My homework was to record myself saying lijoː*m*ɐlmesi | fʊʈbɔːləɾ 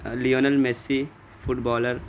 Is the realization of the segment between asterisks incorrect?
yes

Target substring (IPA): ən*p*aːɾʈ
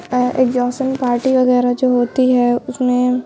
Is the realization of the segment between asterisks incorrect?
no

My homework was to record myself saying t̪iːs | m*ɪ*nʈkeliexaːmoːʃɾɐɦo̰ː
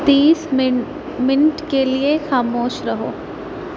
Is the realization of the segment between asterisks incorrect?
no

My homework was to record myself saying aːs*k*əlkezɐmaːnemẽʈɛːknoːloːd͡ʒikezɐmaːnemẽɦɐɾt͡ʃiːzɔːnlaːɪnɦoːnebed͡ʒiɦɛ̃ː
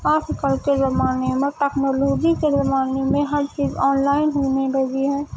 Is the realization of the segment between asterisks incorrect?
no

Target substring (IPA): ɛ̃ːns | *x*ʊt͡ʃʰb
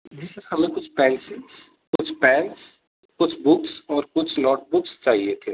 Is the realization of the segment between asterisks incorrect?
yes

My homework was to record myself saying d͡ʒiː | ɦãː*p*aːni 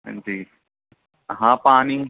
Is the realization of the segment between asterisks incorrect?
no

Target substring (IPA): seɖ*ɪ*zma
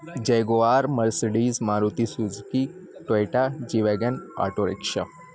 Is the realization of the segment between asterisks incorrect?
yes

